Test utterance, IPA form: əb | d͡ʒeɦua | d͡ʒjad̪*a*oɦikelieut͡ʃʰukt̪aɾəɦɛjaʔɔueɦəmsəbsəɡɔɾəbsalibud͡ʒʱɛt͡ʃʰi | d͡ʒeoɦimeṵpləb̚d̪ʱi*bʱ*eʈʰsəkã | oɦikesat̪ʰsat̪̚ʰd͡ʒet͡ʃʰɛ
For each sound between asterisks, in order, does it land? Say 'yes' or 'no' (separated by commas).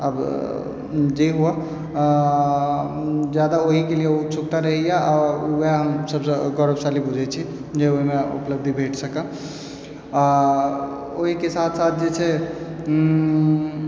yes, yes